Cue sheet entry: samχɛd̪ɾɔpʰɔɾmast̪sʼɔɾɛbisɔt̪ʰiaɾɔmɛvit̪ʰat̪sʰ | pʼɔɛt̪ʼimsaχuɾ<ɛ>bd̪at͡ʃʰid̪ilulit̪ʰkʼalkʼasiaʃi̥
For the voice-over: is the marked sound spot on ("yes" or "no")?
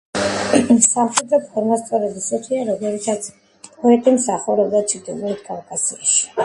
yes